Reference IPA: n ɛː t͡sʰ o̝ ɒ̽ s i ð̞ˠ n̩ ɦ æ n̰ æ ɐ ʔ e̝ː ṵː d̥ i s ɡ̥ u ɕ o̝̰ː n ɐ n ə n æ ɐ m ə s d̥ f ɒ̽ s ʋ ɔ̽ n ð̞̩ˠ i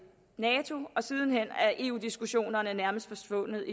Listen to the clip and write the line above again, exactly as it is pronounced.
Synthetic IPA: n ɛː t͡sʰ o̝ ɒ̽ s i ð̞ˠ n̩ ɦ e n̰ æ ɐ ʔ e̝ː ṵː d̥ i s ɡ̥ u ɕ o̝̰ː n ɐ n ə n æ ɐ m ə s d̥ f ɒ̽ s ʋ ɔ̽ n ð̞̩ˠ i